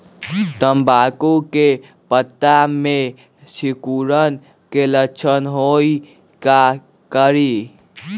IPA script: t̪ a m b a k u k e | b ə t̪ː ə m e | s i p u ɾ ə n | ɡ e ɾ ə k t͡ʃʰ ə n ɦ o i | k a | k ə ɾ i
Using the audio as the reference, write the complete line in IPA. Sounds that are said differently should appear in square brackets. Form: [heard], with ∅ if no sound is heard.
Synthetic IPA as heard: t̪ [ə] m b a k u k e | [p] ə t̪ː [a] m e | s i [k] u ɾ ə n | [k] e [l] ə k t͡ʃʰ ə n ɦ o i | k a | k ə ɾ i